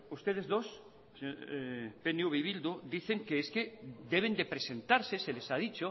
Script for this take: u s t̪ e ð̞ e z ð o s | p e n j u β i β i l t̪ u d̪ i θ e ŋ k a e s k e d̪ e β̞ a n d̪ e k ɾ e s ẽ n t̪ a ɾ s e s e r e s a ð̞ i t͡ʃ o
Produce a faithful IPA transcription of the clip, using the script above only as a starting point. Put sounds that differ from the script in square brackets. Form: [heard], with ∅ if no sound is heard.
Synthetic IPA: u s t̪ e ð̞ e z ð o s | p e n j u β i β i l [d̪] u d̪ i θ e ŋ k [e] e s k e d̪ e β̞ [e] n d̪ e [p] ɾ e s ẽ n t̪ a ɾ s e s e [l] e s a ð̞ i t͡ʃ o